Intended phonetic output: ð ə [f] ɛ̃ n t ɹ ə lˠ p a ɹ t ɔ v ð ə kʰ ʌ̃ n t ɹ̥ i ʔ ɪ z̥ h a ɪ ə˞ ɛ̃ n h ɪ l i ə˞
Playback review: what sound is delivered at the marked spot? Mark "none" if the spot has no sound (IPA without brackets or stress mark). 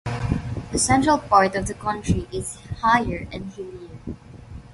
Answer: s